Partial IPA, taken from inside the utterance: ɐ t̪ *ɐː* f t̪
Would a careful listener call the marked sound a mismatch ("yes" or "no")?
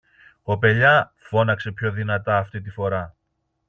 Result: no